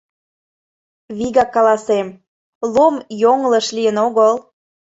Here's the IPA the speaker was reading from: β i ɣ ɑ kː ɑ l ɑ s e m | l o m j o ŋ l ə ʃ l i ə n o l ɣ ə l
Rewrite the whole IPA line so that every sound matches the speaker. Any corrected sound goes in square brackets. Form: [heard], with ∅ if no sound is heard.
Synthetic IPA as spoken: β i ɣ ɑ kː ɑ l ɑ s e m | l o m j o ŋ l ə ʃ l i ə n o [∅] ɣ ə l